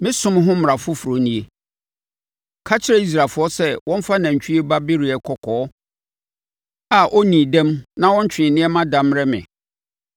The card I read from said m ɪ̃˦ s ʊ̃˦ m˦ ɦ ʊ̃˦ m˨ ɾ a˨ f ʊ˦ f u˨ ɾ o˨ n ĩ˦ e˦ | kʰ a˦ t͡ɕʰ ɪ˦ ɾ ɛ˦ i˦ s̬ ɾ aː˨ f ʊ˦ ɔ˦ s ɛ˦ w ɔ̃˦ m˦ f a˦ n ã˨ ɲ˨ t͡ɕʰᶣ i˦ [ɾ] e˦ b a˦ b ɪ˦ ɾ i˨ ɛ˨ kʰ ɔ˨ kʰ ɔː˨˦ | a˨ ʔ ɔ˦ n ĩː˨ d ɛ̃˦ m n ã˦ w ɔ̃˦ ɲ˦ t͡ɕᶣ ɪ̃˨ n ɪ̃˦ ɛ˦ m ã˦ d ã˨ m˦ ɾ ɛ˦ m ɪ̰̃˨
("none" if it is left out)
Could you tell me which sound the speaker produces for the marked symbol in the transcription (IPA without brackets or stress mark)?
none